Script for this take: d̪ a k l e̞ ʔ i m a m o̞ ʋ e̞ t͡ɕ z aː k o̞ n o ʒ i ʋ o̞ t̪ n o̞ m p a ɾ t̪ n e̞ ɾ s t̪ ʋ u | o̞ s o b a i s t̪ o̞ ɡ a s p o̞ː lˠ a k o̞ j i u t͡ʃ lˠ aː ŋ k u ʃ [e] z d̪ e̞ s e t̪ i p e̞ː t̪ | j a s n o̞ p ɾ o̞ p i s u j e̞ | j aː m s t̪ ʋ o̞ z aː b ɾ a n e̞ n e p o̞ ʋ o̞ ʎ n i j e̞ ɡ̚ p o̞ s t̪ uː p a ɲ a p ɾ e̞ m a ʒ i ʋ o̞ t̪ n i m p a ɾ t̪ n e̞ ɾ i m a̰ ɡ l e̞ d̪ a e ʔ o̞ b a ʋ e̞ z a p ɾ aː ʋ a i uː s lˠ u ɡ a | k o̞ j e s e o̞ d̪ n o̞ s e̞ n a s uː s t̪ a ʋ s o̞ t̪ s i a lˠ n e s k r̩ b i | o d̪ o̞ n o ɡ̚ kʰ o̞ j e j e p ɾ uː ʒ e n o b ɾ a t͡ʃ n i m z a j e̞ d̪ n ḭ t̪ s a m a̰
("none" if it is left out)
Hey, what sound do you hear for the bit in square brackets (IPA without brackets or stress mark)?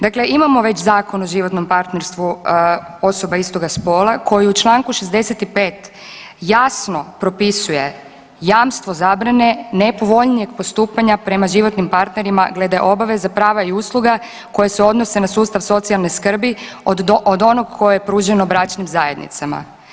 e